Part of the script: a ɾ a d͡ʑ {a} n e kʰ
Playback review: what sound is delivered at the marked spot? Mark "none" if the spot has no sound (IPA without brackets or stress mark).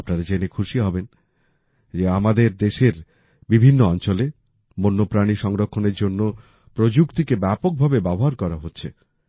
e